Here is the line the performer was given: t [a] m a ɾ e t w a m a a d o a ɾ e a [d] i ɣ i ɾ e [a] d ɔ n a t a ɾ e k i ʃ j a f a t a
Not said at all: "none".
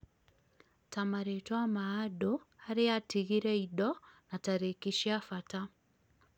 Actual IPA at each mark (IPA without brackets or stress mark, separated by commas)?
a, t, i